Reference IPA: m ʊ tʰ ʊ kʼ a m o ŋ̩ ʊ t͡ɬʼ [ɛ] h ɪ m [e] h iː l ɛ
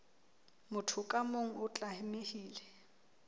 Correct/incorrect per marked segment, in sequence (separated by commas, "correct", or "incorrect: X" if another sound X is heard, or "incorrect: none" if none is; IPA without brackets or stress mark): incorrect: a, correct